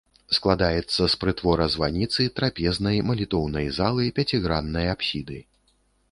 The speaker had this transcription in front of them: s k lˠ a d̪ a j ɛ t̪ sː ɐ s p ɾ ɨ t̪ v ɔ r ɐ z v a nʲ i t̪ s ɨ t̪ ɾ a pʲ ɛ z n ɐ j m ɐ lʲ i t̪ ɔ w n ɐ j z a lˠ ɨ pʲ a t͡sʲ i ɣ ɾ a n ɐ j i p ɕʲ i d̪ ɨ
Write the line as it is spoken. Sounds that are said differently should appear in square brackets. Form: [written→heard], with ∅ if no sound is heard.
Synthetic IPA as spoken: s k lˠ a d̪ a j ɛ t̪ sː ɐ s p ɾ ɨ t̪ v ɔ [r→ɾ] ɐ z v a nʲ i t̪ s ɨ t̪ ɾ a pʲ ɛ z n ɐ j m ɐ lʲ i t̪ ɔ w n ɐ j z a lˠ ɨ pʲ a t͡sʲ i ɣ ɾ a [n→nː] ɐ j [i→a] p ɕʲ i d̪ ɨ